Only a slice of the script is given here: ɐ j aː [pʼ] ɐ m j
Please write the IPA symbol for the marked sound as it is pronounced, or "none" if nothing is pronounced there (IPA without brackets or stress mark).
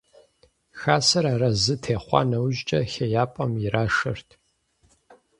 pʼ